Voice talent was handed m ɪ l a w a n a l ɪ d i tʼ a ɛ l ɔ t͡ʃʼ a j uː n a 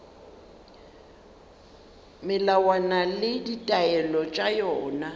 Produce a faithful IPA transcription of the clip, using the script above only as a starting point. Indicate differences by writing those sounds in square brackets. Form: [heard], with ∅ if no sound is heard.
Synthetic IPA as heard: m ɪ l a w a n a l ɪ d i tʼ a ɛ l ɔ t͡ʃʼ a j [ɔː] n a